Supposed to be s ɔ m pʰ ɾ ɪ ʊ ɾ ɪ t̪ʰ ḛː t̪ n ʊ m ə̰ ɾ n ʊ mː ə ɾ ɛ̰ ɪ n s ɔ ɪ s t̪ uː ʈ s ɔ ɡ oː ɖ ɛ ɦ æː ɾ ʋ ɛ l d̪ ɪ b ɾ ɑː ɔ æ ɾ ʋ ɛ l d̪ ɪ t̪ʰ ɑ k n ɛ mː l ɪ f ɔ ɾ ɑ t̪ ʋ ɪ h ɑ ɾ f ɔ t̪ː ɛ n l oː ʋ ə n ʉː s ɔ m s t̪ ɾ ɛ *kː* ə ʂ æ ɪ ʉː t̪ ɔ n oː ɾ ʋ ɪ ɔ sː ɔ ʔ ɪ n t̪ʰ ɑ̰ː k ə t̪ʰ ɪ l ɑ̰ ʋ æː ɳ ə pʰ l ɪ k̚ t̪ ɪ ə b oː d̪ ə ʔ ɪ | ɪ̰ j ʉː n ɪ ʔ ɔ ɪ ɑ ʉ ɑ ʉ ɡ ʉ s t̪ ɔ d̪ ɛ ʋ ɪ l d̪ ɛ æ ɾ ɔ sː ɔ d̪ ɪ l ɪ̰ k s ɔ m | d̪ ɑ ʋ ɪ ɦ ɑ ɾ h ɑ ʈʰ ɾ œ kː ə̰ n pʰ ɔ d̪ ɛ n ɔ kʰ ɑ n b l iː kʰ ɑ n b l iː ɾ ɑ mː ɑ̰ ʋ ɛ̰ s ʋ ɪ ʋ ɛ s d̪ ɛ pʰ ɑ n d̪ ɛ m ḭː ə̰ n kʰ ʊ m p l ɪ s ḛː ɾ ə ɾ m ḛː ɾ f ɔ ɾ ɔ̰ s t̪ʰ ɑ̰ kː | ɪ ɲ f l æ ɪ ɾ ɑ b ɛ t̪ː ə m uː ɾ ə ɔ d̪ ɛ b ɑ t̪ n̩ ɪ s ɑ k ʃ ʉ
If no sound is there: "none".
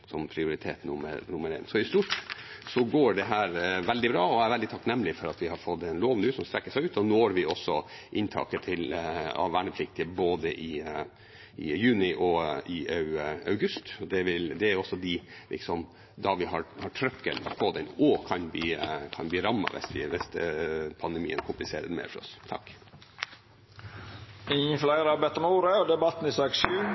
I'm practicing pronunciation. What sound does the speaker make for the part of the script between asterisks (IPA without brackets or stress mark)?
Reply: kː